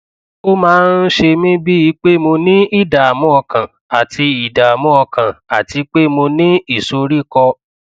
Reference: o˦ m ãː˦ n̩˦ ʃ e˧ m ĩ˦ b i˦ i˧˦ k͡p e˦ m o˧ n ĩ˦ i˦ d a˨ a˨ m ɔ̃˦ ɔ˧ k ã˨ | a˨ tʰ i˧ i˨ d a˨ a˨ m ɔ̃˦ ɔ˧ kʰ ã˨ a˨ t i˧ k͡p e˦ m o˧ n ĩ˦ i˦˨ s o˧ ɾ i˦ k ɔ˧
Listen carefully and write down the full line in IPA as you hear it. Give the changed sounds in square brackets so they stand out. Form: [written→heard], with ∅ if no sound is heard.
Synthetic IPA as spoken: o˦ m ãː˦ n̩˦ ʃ e˧ m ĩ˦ b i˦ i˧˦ k͡p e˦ m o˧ n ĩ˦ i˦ d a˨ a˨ m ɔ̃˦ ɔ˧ k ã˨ | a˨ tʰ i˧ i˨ d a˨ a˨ m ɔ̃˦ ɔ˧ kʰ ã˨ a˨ t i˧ k͡p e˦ m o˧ n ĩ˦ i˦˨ s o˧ ɾ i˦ k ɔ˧

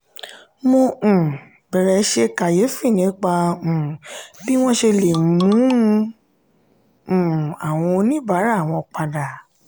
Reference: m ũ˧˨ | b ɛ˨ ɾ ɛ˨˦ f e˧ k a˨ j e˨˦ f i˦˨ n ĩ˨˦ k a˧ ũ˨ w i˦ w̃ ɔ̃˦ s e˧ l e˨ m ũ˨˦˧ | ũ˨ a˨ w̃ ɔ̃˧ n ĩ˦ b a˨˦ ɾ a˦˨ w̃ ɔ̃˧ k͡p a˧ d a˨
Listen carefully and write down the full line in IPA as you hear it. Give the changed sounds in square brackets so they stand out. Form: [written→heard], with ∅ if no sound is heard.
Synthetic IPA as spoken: m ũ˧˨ | b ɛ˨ ɾ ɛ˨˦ [f→ʃ] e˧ k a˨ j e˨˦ f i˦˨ n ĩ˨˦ [k→k͡p] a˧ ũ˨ [w→b] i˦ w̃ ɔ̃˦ [s→ʃ] e˧ l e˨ m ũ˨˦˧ | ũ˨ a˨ w̃ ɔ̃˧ n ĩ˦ b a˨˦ ɾ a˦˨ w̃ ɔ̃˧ k͡p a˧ d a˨

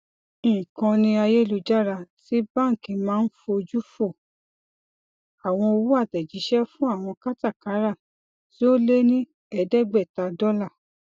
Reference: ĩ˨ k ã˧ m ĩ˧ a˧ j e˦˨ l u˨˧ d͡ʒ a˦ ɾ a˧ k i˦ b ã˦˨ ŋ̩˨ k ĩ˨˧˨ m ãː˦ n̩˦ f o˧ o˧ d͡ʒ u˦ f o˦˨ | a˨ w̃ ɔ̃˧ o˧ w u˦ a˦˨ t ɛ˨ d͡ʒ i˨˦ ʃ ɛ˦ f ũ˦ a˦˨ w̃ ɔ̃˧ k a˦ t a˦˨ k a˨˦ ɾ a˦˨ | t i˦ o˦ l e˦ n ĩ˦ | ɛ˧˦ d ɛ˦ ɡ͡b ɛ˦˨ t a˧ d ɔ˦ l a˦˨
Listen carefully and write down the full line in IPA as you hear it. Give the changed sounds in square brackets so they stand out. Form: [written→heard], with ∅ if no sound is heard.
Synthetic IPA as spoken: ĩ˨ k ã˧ [m→n] ĩ˧ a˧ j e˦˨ l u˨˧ d͡ʒ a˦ ɾ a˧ [k→t] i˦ b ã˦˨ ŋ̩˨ k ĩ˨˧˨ m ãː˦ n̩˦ f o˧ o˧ d͡ʒ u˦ f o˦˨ | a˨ w̃ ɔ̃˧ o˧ w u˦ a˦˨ t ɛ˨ d͡ʒ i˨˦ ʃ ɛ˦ f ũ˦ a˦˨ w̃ ɔ̃˧ k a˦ t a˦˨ k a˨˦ ɾ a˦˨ | t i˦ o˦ l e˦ n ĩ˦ | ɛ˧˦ d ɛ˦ ɡ͡b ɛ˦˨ t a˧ d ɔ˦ l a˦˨

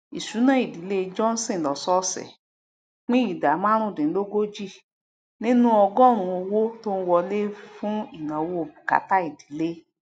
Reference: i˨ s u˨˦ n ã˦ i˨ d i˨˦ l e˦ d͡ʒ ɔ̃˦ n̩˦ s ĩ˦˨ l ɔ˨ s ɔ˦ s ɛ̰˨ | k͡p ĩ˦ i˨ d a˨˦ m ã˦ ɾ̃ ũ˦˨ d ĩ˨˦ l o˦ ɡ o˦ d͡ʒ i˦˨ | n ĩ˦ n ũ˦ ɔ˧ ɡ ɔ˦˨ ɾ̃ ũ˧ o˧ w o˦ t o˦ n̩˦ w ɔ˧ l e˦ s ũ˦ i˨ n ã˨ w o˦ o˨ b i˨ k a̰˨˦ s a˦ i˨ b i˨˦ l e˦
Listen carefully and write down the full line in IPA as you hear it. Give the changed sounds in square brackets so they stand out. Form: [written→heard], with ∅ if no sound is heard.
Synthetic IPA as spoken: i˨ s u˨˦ n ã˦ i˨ d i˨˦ l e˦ d͡ʒ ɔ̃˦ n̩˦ s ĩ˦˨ l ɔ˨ s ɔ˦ s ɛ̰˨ | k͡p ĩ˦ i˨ d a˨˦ m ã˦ ɾ̃ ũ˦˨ d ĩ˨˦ l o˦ ɡ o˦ d͡ʒ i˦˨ | n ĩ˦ n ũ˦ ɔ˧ ɡ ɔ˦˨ ɾ̃ ũ˧ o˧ w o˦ t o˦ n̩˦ w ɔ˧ l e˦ [s→f] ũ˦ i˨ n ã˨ w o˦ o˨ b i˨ k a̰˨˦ [s→t] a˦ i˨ [b→d] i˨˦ l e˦

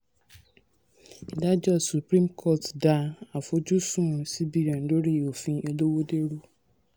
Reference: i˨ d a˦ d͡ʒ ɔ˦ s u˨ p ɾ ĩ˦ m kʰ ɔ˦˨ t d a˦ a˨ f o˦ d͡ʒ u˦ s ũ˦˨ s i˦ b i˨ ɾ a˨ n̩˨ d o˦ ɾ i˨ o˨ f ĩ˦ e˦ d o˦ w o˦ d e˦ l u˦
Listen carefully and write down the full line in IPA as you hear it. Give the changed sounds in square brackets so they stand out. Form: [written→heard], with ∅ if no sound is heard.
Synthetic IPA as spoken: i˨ d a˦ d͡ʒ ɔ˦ s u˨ p ɾ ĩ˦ m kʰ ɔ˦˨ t d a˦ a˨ f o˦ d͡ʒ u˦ s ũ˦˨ s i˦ b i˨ ɾ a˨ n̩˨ d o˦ ɾ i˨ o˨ f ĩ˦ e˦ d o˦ w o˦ d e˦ [l→ɾ] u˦

